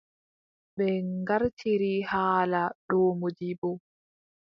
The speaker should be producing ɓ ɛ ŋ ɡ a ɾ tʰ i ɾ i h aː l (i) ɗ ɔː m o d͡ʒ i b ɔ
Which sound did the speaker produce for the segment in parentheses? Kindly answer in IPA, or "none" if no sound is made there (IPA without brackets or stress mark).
a